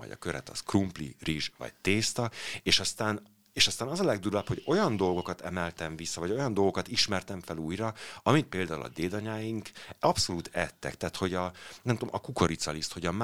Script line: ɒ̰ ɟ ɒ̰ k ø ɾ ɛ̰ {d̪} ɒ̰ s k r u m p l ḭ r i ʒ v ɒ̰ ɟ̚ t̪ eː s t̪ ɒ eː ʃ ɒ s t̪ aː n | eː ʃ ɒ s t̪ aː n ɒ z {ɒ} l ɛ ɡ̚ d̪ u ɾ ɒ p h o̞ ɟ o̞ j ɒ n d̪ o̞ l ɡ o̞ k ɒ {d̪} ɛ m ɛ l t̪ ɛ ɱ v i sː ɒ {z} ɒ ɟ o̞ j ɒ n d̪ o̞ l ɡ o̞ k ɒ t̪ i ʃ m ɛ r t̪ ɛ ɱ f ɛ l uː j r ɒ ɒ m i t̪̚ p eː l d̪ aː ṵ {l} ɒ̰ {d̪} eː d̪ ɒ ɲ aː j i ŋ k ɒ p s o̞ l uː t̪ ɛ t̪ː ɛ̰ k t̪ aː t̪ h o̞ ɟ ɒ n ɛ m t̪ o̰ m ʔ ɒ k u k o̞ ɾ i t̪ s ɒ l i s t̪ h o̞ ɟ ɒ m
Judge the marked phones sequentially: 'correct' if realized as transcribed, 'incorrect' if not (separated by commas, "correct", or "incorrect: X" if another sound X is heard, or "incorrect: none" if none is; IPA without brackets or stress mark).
incorrect: t̪, correct, incorrect: t̪, incorrect: v, correct, correct